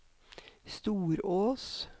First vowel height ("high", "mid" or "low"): high